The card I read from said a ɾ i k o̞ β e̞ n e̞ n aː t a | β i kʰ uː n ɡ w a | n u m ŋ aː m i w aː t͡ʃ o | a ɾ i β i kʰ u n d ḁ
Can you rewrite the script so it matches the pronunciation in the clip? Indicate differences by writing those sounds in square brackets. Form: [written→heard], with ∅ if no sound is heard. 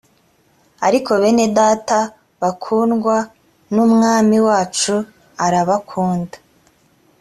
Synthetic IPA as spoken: a ɾ i k o̞ β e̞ n e̞ [n→d] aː t a | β [i→a] kʰ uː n ɡ w a | n u m ŋ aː m i w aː t͡ʃ [o→u] | a ɾ [i→a] β [i→a] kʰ [u→uː] n d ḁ